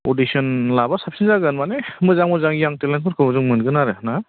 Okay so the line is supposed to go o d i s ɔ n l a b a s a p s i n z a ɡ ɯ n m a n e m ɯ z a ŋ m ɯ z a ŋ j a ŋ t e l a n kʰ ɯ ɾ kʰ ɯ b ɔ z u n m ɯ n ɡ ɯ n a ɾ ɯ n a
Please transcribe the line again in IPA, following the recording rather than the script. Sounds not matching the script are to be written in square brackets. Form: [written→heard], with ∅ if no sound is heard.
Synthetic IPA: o d i s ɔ n l a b a s a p s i n z a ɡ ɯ n m a n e m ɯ z a ŋ m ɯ z a ŋ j a ŋ t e l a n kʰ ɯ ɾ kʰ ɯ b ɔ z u [n→ŋ] m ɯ n ɡ ɯ n a ɾ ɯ n a